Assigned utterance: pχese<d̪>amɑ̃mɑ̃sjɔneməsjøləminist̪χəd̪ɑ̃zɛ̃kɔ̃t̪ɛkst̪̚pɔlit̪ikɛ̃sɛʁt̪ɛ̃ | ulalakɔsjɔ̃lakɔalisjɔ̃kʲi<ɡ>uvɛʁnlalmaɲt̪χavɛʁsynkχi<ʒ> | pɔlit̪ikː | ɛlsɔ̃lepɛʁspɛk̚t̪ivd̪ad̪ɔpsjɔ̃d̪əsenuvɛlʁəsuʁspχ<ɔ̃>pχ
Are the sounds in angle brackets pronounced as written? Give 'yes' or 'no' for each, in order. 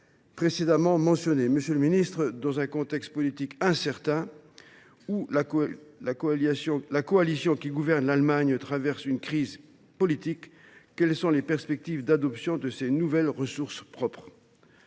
yes, yes, no, no

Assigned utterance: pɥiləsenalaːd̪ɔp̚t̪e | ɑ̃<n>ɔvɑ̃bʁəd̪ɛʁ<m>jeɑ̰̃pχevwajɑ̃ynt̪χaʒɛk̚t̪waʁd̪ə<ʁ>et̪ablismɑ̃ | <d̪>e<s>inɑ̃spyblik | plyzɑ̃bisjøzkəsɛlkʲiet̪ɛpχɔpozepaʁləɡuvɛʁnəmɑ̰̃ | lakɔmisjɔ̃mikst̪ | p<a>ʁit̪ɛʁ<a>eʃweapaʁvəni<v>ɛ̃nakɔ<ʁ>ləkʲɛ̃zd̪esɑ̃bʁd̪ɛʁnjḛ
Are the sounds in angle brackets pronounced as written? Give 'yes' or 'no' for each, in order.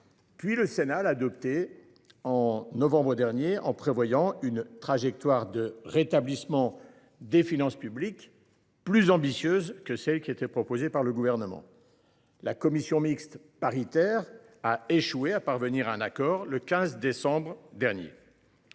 yes, no, yes, yes, no, yes, yes, no, yes

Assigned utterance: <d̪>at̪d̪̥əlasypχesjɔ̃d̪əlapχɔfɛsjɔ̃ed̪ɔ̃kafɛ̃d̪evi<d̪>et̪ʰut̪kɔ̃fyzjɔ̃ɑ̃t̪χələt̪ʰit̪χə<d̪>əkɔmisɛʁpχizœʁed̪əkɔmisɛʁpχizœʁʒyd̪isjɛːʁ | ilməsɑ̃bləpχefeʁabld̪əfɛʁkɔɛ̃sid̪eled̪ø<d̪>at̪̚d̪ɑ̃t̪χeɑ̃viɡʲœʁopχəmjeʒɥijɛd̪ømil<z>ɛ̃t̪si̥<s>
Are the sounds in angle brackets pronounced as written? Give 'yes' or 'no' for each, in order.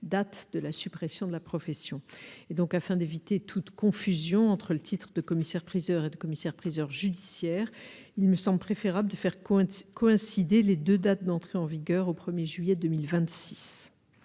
yes, no, yes, yes, no, yes

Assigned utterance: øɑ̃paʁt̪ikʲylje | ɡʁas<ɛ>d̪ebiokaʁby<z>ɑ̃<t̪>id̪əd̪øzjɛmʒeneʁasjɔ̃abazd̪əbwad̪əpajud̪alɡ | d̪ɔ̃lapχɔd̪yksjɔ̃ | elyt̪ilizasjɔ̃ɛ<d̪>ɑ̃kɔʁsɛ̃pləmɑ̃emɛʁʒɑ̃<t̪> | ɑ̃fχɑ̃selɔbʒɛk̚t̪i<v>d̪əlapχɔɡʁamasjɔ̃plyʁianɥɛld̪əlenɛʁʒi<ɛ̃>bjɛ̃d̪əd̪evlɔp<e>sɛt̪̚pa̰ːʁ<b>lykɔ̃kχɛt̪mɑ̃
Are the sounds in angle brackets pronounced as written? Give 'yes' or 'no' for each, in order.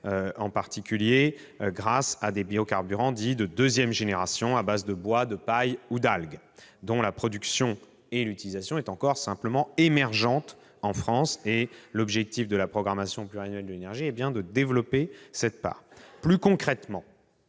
no, no, no, no, yes, no, no, yes, no

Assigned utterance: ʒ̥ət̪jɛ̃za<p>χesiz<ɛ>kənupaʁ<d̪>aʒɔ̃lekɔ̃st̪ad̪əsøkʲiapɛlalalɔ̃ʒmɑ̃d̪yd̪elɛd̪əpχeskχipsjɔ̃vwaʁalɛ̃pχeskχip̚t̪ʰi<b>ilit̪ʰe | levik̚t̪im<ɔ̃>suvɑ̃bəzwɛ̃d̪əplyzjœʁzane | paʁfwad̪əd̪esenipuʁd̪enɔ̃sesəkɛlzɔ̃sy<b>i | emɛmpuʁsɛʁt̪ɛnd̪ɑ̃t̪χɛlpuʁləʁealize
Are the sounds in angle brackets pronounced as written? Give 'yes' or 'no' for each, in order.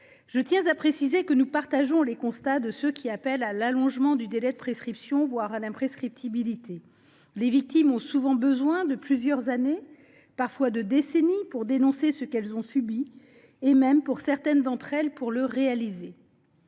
yes, no, no, yes, yes, yes

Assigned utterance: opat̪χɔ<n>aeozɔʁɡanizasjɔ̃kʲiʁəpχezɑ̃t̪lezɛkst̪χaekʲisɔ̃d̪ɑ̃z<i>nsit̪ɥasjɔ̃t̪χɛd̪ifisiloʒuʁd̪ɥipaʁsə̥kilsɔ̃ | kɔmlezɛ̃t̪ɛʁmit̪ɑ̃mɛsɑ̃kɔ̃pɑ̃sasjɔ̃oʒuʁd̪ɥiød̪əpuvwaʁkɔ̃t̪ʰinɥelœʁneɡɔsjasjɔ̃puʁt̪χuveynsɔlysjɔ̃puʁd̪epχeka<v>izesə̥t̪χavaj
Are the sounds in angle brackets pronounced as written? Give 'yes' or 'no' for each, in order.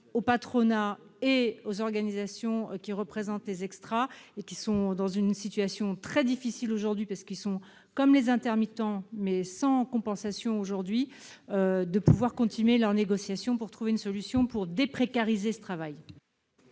yes, no, no

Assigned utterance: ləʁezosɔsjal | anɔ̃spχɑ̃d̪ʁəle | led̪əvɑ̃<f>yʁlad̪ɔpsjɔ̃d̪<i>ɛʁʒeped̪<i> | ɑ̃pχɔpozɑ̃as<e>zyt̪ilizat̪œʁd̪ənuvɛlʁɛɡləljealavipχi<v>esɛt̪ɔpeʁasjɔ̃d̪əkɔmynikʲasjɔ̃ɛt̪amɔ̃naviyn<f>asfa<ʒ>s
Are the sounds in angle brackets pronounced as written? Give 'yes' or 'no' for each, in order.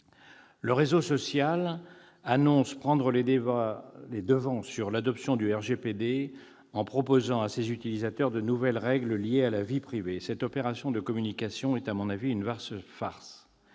no, no, no, yes, yes, no, no

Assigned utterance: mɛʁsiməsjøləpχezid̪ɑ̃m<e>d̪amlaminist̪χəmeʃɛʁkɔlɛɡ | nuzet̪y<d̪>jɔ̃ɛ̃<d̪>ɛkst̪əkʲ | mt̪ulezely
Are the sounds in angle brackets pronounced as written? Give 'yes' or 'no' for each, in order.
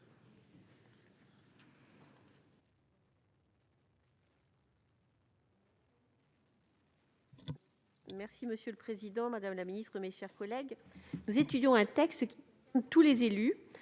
no, yes, no

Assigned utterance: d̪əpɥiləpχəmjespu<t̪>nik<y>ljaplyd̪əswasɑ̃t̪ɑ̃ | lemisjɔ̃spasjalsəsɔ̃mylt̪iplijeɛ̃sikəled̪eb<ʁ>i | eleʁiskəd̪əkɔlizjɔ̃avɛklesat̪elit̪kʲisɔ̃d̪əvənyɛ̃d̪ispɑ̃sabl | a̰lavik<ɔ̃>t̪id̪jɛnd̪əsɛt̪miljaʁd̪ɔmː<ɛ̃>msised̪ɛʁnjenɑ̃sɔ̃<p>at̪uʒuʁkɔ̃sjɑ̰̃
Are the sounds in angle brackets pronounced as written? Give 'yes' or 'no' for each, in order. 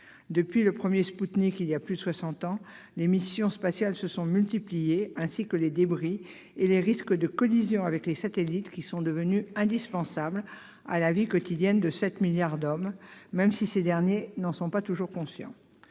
yes, no, yes, no, no, yes

